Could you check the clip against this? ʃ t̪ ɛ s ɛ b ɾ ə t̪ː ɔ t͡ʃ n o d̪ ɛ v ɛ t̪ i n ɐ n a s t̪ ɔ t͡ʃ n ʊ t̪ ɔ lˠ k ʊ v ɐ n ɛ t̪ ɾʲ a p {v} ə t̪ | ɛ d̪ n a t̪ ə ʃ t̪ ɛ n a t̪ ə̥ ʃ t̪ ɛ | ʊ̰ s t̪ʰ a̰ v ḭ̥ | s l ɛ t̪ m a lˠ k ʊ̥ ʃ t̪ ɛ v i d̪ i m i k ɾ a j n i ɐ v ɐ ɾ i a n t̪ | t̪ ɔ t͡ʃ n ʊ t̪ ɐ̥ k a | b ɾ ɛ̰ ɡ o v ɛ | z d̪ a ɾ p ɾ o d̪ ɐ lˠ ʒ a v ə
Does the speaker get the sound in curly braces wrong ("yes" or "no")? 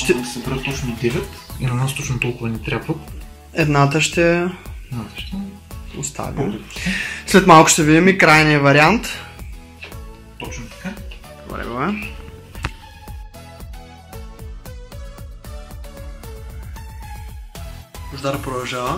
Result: no